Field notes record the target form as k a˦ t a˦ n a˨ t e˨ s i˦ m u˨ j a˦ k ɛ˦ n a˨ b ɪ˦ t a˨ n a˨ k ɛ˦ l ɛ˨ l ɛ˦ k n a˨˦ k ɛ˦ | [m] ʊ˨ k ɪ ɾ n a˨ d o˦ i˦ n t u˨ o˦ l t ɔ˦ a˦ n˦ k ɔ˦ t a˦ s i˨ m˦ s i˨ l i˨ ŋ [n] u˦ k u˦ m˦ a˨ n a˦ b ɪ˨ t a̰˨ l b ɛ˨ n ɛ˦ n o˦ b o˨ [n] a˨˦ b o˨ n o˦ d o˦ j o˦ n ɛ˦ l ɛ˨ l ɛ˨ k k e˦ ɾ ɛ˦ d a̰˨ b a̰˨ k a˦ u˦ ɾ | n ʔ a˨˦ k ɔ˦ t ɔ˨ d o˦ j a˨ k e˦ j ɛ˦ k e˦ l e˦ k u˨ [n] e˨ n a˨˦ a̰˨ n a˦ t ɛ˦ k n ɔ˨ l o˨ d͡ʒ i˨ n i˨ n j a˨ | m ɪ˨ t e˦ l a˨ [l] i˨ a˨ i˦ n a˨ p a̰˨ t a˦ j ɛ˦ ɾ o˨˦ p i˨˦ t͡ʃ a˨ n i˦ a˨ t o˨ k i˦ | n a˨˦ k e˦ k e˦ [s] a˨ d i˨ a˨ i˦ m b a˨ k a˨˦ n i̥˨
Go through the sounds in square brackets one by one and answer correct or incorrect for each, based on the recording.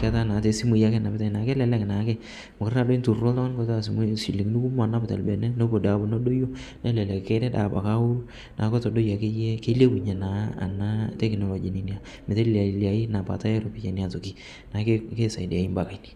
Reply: correct, correct, incorrect: d, incorrect: ɲ, correct, correct

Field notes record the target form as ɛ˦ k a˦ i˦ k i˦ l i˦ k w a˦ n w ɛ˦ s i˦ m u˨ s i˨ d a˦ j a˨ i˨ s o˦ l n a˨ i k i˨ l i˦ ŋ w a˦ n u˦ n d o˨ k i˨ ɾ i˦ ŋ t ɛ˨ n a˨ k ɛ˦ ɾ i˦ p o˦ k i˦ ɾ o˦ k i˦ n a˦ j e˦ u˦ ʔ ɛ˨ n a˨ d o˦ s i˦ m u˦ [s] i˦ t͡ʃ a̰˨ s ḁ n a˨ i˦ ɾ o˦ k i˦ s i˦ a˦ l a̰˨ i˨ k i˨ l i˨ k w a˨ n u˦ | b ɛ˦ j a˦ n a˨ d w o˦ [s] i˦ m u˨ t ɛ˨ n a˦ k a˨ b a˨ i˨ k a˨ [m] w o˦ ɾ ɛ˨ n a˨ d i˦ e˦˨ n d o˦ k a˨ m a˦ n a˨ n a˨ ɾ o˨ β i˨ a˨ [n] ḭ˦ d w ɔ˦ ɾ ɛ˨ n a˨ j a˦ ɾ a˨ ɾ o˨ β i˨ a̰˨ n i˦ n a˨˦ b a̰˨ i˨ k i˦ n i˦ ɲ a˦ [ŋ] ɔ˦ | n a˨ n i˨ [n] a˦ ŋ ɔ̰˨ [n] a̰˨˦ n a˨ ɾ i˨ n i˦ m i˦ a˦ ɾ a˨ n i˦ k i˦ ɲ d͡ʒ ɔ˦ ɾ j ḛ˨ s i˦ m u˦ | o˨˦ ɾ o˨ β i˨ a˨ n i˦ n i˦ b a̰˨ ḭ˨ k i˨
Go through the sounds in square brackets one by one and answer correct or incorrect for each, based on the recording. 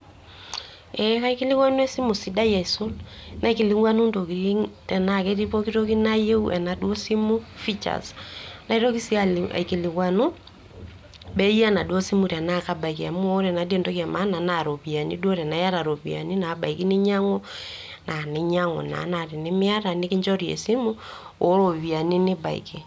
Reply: incorrect: f, correct, correct, correct, correct, incorrect: ɲ, correct

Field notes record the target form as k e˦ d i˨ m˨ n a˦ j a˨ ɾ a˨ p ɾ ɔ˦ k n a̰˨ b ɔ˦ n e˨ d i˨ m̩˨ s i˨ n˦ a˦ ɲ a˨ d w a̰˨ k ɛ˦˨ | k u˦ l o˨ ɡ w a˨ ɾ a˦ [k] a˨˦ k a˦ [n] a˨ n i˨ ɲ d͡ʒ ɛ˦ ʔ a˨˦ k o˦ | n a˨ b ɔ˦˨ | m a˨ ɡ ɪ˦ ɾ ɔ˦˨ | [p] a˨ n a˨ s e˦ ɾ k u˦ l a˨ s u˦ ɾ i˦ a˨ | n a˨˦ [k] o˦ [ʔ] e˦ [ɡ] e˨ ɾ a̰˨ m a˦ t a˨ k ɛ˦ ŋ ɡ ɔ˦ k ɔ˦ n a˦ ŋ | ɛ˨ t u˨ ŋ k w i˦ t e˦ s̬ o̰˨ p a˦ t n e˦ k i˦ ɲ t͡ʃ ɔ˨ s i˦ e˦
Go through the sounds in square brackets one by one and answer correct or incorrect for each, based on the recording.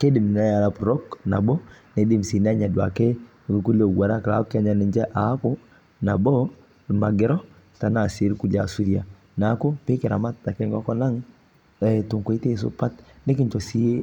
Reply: correct, incorrect: ɲ, incorrect: t, correct, incorrect: p, incorrect: k

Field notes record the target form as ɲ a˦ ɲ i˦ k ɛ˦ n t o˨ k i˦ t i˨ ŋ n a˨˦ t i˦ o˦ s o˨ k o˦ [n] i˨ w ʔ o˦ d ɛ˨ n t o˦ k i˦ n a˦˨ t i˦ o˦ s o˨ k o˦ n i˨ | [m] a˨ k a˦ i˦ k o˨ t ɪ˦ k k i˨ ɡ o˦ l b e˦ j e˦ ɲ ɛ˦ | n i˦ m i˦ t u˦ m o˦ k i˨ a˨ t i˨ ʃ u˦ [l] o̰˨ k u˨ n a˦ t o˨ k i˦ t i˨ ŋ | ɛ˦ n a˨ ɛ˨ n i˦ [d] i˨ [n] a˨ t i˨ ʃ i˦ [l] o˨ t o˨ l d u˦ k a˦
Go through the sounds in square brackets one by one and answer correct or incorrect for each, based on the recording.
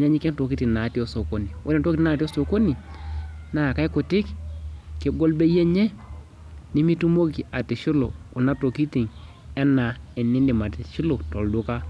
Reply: correct, incorrect: n, correct, incorrect: n, incorrect: m, correct

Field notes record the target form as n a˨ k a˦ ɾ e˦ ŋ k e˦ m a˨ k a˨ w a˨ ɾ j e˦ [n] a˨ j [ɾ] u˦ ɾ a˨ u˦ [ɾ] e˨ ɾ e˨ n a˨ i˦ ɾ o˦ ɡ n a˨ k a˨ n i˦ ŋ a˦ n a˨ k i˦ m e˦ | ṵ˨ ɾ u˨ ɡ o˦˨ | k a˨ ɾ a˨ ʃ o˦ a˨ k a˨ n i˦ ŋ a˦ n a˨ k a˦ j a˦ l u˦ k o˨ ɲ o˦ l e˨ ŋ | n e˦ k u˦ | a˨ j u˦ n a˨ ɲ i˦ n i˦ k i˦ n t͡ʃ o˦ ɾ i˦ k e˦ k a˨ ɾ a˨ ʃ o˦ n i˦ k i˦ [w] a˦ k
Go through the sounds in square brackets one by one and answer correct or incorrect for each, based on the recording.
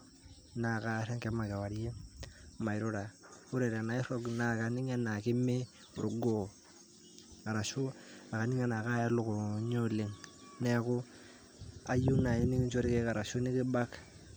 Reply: incorrect: m, correct, correct, incorrect: b

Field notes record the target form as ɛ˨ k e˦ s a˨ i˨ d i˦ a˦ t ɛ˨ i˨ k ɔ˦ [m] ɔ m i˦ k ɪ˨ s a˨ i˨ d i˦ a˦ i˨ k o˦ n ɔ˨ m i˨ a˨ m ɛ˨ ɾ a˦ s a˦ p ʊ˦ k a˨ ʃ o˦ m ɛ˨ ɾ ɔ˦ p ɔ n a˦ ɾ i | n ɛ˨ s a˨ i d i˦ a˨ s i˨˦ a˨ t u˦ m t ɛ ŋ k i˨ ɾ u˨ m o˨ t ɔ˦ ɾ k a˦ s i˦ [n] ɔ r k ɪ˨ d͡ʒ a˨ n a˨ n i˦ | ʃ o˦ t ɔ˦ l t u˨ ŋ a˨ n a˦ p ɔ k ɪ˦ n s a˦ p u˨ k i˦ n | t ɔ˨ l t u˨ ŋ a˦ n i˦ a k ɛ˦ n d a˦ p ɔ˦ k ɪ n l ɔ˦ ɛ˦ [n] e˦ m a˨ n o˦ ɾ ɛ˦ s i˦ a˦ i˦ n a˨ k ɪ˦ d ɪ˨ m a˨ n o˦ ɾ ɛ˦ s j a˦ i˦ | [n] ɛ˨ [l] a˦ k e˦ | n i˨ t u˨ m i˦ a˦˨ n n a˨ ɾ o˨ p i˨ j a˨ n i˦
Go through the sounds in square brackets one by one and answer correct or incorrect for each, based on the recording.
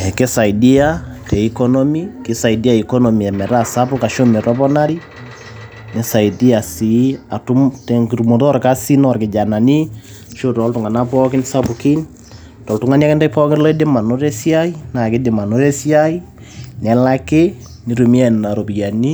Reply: incorrect: n, correct, incorrect: d, correct, correct

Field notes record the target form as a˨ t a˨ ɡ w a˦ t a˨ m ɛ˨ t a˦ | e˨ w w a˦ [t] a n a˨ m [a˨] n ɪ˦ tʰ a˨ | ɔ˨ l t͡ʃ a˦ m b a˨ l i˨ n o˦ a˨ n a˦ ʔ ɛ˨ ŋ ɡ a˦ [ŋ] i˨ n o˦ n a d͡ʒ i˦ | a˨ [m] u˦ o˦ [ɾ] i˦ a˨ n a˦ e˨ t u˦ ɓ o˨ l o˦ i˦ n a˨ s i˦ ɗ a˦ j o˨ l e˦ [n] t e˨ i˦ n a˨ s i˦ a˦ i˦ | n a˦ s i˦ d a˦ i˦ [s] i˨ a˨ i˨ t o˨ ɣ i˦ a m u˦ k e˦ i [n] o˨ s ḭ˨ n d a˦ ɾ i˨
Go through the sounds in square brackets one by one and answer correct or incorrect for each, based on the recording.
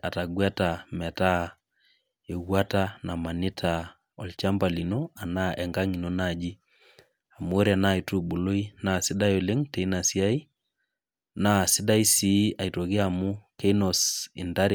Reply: correct, correct, correct, correct, correct, incorrect: ŋ, correct, correct

